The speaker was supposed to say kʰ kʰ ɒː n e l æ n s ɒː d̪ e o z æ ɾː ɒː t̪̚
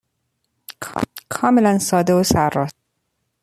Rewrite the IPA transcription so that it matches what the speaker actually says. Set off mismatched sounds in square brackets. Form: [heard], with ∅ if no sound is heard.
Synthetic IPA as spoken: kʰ kʰ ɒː [m] e l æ n s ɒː d̪ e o [s] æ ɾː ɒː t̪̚